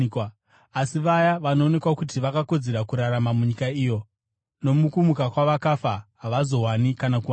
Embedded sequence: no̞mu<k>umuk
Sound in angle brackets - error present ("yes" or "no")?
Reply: no